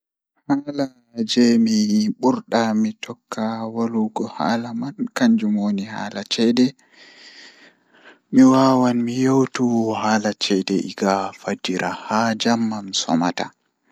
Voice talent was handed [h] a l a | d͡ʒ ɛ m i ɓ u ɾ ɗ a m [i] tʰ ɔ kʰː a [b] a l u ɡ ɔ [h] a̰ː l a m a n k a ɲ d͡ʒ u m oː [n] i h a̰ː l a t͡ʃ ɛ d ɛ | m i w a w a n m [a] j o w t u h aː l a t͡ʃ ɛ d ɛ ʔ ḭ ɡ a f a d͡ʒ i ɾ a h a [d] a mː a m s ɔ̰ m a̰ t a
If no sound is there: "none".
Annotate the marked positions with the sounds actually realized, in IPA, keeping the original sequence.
h, i, w, h, n, i, d͡ʒ

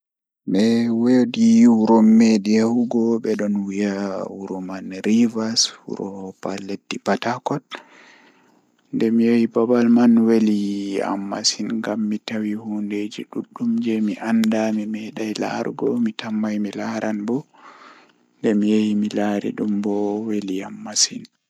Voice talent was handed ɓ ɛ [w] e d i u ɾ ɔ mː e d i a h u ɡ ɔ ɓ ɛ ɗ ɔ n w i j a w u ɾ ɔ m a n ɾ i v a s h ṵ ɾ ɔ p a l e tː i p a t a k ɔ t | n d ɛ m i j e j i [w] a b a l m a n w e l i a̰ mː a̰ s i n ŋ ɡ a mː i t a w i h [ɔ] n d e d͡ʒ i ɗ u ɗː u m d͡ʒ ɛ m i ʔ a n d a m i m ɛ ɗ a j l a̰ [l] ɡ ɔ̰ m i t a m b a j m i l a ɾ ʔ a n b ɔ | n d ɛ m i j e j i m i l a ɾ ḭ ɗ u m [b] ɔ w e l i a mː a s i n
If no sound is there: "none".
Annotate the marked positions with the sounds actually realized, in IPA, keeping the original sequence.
w, b, u, ɾ, b

